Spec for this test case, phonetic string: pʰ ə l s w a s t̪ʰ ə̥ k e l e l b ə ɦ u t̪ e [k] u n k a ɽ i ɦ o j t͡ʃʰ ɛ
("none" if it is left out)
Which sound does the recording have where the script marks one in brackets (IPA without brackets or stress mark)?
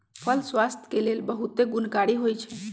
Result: ɡ